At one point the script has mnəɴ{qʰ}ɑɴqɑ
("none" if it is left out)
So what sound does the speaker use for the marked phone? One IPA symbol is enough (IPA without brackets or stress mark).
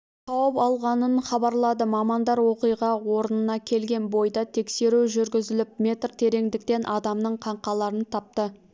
qʰ